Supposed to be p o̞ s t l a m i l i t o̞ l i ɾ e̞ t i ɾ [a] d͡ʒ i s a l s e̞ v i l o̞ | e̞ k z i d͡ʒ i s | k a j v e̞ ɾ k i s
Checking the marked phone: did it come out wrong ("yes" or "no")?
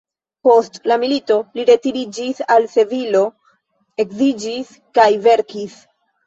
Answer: yes